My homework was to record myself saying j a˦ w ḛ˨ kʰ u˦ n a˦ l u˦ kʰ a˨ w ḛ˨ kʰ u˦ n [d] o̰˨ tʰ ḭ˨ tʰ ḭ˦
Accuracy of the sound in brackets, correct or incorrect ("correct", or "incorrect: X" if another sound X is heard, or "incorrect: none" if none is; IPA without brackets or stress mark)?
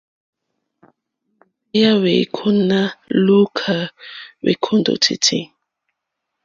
correct